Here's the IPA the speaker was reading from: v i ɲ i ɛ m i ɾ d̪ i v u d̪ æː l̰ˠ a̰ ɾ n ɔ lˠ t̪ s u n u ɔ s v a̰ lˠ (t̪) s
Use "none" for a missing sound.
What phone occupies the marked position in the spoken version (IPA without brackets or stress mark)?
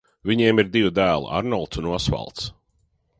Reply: t̪